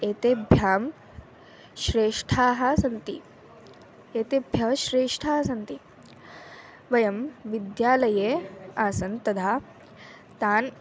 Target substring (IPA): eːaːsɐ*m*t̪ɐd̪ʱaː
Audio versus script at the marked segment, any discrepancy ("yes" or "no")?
yes